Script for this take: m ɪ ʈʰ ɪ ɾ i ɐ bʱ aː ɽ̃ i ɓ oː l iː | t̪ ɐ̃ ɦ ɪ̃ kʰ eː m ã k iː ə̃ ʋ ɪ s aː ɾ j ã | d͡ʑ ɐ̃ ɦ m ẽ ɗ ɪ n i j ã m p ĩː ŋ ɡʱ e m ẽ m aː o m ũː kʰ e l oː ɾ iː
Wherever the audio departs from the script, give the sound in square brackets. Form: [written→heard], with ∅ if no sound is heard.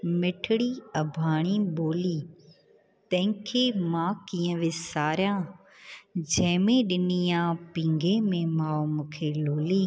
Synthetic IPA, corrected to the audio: m ɪ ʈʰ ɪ [ɾ→ɽ] i ɐ bʱ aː ɽ̃ i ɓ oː l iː | t̪ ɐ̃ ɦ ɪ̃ kʰ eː m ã k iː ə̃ ʋ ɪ s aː ɾ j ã | d͡ʑ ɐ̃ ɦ m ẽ ɗ ɪ n i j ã [m→∅] p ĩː ŋ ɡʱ e m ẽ m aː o m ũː kʰ e l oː [ɾ→l] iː